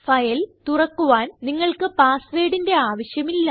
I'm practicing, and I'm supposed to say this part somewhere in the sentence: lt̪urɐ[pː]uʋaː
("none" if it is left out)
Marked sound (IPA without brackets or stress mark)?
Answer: kː